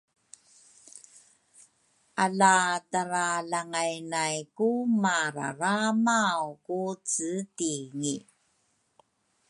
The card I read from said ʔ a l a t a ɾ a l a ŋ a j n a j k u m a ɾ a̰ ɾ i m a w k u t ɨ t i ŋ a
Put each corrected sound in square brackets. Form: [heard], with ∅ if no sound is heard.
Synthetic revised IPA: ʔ a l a t a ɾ a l a ŋ a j n a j k u m a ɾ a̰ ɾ [a] m a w k u [t͡s] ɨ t i ŋ [i]